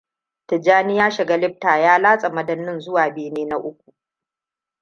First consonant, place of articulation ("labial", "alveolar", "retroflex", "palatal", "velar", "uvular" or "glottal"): alveolar